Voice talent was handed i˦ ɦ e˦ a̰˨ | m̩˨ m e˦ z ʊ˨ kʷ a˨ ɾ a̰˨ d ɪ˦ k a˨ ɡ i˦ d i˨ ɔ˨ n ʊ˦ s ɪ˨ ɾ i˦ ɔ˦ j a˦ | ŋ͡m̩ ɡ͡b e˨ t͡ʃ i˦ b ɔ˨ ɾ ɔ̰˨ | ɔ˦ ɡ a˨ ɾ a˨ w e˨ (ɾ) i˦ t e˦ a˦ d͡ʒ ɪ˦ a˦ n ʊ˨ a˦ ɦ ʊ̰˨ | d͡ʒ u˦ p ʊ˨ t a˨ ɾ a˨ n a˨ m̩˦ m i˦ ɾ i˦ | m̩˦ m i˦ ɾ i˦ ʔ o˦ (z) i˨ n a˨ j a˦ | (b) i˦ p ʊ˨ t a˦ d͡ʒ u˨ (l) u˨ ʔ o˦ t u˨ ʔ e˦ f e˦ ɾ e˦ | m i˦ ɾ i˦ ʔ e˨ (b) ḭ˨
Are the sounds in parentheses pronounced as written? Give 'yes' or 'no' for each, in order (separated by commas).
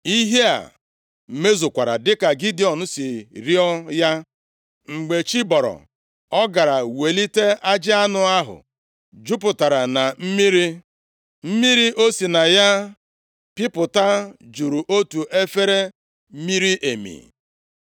no, no, no, no, no